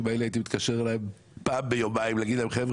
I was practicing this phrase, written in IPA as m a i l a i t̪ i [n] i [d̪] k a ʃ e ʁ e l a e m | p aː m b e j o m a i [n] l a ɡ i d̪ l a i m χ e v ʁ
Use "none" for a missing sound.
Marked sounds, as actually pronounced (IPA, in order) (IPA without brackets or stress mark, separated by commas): m, t̪, m